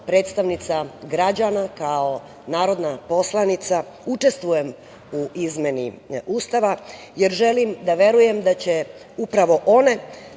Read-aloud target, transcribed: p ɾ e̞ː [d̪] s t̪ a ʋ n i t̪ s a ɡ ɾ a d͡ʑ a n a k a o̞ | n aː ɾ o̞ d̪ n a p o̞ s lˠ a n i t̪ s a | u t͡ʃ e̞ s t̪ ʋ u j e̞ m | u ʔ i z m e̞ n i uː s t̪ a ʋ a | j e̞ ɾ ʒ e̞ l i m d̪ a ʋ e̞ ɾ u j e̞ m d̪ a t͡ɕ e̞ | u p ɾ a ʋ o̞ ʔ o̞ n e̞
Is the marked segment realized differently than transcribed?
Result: yes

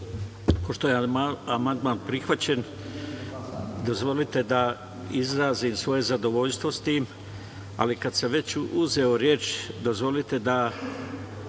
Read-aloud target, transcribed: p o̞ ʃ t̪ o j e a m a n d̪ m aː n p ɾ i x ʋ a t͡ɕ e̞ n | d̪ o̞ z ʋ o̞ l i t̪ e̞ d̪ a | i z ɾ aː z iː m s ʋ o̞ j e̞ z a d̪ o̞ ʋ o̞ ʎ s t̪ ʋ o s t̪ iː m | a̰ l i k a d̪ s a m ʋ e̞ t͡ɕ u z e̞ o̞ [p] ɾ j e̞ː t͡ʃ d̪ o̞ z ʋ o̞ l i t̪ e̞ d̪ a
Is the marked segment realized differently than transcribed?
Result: yes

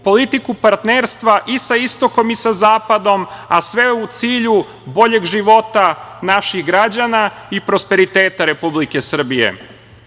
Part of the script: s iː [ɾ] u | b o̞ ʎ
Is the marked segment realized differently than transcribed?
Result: yes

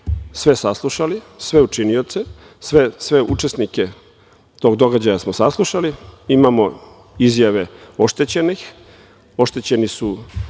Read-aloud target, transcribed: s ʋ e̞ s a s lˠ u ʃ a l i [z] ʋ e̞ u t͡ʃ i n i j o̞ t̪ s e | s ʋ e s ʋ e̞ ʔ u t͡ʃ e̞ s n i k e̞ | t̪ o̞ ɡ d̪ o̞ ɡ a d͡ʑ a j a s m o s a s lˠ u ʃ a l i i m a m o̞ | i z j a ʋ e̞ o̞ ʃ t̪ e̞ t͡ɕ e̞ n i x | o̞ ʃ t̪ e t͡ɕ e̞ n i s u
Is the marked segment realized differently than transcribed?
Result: yes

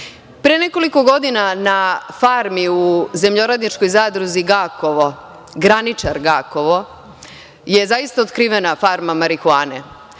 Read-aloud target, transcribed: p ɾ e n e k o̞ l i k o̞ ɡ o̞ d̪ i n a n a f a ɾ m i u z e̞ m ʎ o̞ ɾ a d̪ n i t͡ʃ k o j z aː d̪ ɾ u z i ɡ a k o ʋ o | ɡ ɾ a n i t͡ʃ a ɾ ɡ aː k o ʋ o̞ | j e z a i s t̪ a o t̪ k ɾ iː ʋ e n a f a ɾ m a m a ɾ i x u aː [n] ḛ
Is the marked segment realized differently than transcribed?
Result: no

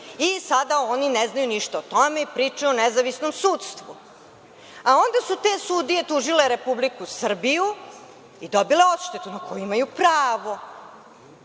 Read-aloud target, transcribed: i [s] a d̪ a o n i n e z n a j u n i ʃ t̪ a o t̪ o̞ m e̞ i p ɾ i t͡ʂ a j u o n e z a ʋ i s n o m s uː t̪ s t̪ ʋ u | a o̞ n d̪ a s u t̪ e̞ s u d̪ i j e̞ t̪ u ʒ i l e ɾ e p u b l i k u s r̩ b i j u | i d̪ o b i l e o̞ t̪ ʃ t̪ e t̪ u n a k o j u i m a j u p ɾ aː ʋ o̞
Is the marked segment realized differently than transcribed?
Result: no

